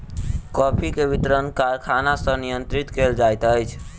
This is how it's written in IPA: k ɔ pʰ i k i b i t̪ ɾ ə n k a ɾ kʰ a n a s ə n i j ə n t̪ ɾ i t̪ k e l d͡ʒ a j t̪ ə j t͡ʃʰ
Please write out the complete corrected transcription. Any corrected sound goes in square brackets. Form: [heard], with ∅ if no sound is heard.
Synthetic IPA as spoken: k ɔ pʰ i k [e] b i t̪ ɾ ə n k a ɾ kʰ a n a s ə n i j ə n t̪ ɾ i t̪ k e l d͡ʒ a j t̪ ə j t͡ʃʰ